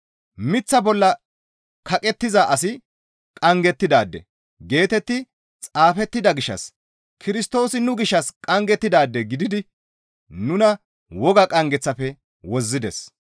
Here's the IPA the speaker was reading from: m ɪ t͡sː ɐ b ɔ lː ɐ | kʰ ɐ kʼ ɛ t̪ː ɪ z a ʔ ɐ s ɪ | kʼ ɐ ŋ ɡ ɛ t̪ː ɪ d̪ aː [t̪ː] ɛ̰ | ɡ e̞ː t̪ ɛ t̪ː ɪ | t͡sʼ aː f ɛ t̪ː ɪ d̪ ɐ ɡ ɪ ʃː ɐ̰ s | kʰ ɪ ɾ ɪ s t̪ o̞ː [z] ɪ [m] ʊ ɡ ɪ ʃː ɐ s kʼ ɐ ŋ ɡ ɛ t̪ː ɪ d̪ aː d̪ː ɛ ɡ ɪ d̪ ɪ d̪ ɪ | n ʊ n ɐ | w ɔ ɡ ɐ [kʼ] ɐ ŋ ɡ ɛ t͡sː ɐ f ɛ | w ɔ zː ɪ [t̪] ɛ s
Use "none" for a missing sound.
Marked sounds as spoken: d̪ː, s, n, kʼ, d̪

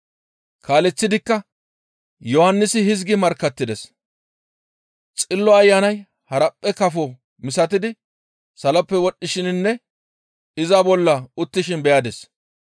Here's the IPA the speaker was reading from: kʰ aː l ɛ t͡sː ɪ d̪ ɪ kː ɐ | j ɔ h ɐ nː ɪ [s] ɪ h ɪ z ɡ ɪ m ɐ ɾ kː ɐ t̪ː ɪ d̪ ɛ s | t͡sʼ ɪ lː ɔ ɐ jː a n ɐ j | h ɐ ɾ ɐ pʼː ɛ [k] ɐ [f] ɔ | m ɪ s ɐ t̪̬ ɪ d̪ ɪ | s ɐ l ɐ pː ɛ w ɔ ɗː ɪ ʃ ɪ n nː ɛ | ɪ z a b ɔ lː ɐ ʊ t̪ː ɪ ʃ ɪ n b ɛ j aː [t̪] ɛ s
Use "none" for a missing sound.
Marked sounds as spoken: s, k, f, d̪

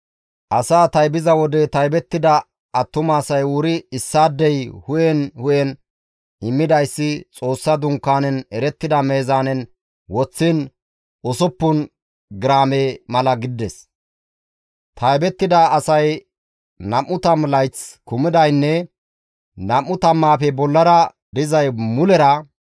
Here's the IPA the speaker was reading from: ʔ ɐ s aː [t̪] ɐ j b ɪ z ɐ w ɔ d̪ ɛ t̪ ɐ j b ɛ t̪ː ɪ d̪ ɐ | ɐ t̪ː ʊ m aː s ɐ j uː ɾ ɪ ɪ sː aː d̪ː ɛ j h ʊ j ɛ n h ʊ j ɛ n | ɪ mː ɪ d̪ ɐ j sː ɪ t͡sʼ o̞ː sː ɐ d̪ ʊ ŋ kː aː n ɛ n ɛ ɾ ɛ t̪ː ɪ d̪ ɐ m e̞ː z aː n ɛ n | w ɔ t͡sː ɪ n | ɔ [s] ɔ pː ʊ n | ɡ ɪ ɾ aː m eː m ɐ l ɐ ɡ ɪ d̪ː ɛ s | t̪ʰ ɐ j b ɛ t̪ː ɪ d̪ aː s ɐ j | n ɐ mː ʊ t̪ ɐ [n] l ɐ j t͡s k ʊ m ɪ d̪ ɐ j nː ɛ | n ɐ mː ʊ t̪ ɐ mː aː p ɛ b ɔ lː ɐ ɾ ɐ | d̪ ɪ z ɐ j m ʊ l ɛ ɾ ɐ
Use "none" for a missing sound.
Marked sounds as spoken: t̪, s, m

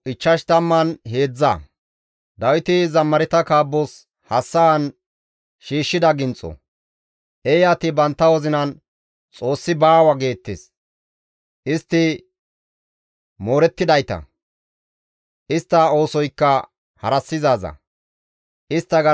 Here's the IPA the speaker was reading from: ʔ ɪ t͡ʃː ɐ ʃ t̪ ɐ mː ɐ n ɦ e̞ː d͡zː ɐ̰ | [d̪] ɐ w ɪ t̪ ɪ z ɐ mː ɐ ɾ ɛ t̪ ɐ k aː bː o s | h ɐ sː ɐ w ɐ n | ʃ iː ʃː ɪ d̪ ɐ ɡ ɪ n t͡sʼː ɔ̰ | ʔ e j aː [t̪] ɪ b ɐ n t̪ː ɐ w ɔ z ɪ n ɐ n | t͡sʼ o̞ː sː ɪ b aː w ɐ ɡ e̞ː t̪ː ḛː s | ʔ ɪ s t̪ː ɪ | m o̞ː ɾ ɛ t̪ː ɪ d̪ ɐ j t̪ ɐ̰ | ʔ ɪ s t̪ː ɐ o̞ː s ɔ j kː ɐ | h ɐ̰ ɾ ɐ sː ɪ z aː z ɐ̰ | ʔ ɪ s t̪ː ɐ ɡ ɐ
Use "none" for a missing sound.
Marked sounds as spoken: d̪, t̪

